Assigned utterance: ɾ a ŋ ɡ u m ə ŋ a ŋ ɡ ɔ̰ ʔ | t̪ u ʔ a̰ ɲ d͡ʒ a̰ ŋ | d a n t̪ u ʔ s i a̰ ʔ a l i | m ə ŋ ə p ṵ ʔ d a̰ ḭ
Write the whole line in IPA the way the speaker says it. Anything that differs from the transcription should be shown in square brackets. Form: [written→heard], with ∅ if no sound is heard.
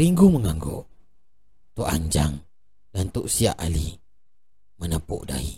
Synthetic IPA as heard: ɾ [a→i] ŋ ɡ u m ə ŋ a ŋ ɡ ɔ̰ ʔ | t̪ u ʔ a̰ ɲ d͡ʒ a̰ ŋ | d a n t̪ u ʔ s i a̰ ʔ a l i | m ə [ŋ→n] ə p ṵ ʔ d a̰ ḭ